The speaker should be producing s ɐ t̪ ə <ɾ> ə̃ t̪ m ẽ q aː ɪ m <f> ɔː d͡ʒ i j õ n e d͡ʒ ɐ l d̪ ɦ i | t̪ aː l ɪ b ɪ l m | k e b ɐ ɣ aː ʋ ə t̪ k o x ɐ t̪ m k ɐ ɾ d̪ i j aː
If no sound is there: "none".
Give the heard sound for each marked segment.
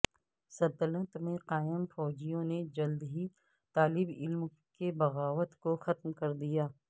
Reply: l, f

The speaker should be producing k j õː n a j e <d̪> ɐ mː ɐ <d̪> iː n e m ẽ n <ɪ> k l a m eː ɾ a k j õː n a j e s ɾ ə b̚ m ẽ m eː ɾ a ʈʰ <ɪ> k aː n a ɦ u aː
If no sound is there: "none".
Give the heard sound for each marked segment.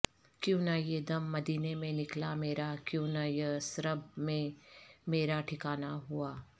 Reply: d̪, d̪, ɪ, ɪ

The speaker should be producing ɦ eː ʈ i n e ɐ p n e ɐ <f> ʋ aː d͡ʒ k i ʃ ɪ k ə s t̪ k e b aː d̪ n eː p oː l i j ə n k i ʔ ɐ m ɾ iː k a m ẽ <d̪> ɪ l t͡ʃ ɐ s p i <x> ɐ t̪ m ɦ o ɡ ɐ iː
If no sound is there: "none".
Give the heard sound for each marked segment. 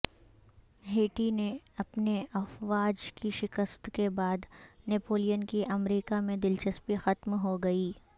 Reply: f, d̪, x

